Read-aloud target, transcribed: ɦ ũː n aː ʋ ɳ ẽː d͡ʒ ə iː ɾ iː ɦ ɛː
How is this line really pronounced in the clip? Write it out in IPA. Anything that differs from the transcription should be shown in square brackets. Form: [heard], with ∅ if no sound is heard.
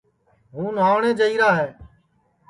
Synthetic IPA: ɦ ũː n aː ʋ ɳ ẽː d͡ʒ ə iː ɾ [aː] ɦ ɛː

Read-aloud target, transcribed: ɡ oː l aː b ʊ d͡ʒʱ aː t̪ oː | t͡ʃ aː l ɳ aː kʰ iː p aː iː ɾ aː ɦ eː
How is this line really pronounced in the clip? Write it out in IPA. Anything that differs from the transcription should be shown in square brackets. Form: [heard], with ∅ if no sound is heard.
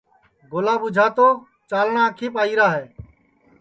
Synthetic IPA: ɡ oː l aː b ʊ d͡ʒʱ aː t̪ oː | t͡ʃ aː l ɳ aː kʰ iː p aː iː ɾ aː ɦ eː

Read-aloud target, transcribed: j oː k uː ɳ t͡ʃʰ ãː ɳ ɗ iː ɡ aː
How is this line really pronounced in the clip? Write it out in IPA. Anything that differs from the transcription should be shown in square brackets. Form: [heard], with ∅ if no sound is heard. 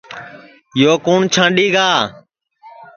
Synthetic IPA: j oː k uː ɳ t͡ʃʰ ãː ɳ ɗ iː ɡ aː

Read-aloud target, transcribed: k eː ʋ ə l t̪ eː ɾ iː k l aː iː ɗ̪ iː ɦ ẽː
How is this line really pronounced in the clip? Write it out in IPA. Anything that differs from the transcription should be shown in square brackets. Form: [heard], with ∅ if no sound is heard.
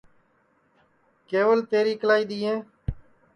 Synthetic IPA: k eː ʋ ə l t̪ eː ɾ iː k l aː iː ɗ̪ iː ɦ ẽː

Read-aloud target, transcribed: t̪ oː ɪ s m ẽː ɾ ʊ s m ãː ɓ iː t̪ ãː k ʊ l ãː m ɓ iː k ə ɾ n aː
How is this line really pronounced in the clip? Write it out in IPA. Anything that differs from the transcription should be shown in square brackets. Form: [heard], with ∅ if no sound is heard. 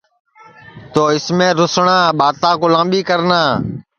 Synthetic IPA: t̪ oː ɪ s m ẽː ɾ ʊ s [ɳ] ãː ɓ [aː] t̪ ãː k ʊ l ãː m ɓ iː k ə ɾ n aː

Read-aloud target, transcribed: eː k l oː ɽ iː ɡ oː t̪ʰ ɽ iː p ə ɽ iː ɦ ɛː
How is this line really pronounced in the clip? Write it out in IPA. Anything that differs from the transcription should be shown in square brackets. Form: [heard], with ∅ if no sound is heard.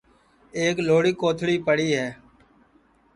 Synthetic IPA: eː k l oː ɽ iː [k] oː t̪ʰ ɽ iː p ə ɽ iː ɦ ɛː

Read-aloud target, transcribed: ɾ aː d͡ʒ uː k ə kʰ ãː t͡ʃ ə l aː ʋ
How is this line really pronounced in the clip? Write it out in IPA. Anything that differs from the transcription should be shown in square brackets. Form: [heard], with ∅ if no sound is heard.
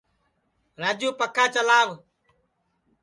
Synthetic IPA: ɾ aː d͡ʒ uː [p] ə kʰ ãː t͡ʃ ə l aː ʋ

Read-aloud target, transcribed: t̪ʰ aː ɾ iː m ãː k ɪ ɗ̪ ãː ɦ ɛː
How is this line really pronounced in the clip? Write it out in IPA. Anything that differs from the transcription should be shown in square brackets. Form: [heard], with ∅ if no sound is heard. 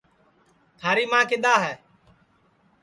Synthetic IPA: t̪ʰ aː ɾ iː m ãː k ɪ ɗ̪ [aː] ɦ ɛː

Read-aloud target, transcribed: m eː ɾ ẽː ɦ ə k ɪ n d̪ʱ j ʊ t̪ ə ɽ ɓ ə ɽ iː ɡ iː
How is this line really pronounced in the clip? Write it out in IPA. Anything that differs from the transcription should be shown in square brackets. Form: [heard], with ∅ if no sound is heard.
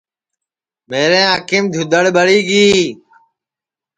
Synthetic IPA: m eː ɾ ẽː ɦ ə k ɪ [m] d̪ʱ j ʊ [d̪] ə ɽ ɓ ə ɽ iː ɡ iː

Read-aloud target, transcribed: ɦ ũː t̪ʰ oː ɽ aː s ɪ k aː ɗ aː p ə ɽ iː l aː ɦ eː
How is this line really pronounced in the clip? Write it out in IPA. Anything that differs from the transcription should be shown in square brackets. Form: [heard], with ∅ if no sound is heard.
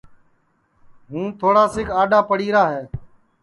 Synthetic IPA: ɦ ũː t̪ʰ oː ɽ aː s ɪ k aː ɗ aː p ə ɽ iː [ɾ] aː ɦ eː

